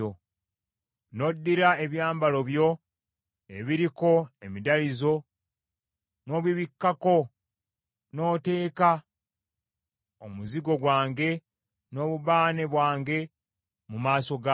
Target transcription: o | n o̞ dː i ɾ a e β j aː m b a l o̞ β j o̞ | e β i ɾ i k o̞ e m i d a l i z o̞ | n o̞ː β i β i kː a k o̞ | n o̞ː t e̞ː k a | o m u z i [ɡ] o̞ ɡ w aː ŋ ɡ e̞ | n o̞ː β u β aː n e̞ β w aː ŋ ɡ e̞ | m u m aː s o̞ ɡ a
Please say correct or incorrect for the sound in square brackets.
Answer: correct